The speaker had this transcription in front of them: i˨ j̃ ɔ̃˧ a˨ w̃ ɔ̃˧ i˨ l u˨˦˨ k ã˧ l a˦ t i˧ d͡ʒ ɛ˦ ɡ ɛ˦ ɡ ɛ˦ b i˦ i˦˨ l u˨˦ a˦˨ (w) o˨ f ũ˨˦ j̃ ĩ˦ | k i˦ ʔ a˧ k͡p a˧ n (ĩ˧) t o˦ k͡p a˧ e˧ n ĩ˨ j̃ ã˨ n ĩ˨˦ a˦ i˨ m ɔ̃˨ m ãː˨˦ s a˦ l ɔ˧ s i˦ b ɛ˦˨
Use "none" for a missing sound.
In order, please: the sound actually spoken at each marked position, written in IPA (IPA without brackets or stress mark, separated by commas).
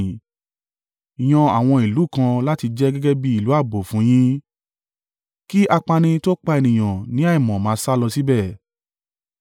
b, ĩ˧